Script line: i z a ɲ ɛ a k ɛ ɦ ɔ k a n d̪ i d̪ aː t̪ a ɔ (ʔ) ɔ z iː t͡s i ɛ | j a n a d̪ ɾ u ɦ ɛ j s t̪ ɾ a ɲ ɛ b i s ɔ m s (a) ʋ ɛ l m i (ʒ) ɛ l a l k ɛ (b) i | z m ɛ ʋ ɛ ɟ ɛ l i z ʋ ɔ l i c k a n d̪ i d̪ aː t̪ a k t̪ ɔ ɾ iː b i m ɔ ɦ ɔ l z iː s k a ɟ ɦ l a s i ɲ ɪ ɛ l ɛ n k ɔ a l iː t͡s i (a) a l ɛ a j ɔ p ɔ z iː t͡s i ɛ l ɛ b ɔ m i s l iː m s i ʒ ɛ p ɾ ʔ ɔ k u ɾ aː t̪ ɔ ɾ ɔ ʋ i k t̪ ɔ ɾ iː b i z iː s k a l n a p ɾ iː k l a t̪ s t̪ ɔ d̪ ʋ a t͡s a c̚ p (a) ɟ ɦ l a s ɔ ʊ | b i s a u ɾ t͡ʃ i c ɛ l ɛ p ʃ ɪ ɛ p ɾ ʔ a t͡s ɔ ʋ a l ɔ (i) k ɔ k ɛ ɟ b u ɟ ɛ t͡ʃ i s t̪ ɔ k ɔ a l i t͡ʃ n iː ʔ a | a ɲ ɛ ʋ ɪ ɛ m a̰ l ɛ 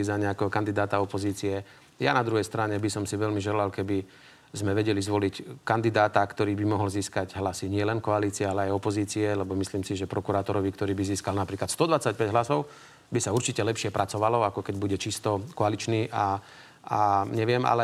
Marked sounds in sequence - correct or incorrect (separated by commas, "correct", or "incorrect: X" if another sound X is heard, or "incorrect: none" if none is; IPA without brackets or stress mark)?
incorrect: p, incorrect: i, correct, correct, incorrect: ɛ, incorrect: ɛ, incorrect: a